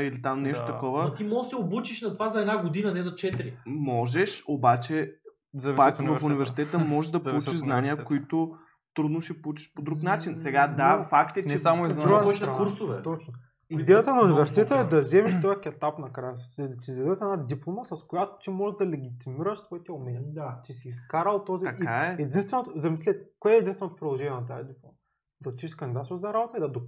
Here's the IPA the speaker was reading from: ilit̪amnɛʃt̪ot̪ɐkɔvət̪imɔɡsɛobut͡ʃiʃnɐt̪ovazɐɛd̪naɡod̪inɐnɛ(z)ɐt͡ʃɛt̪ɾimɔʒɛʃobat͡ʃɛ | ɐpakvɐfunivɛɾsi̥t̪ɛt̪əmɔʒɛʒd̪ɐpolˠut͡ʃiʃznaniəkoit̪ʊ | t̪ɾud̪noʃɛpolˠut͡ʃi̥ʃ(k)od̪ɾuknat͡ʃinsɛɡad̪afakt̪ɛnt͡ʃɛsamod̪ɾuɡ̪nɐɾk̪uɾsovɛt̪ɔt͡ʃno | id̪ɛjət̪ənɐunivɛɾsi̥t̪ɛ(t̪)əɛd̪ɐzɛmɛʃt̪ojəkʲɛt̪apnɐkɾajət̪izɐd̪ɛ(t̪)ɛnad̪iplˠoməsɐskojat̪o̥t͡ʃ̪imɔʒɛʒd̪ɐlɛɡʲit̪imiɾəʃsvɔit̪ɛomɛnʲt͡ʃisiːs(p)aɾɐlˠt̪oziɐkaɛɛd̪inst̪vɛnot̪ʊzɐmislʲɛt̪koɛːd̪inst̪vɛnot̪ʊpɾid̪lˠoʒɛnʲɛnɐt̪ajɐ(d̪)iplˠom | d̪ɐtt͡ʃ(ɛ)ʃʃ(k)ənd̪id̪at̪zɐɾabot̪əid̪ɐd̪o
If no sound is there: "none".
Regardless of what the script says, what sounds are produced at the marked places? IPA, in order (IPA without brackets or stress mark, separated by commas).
z, p, t̪, t̪, k, d̪, i, k